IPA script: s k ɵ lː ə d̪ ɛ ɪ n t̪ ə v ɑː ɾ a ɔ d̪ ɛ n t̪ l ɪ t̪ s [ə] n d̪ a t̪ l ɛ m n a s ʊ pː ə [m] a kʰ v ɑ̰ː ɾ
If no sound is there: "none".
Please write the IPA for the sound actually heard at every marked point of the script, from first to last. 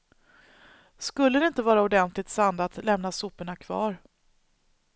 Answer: a, ɳ

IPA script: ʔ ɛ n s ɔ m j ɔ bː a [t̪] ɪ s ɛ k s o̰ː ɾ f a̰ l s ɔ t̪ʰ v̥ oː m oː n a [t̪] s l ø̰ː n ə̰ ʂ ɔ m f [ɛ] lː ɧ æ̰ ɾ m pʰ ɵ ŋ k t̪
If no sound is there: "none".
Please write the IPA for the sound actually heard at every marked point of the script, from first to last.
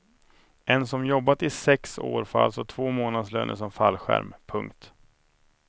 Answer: t̪, d̪, a

